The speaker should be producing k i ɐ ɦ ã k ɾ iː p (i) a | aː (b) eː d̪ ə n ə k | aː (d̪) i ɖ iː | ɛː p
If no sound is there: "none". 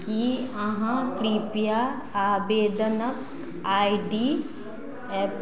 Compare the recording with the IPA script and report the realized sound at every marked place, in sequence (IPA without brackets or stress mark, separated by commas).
j, b, none